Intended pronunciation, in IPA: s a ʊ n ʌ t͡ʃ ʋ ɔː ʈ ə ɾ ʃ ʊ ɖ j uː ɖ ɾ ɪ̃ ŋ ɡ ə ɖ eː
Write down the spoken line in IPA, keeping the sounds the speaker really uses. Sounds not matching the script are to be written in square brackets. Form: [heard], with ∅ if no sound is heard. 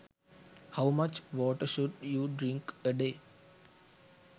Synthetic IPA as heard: [h] a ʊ [m] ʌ t͡ʃ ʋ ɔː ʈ ə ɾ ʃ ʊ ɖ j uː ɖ ɾ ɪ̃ ŋ [k] ə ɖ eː